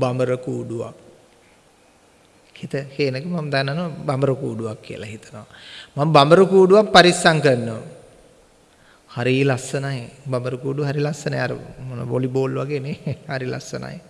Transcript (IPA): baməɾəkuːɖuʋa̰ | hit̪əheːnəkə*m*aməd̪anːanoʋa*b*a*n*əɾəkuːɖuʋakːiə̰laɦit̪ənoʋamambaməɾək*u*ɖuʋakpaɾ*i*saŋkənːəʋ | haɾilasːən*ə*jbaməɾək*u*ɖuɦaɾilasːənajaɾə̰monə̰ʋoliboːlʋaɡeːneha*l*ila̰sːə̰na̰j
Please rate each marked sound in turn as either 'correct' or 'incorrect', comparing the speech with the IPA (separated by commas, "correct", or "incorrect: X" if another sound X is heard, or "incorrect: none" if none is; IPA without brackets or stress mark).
correct, correct, incorrect: m, incorrect: uː, correct, incorrect: a, incorrect: uː, incorrect: ɾ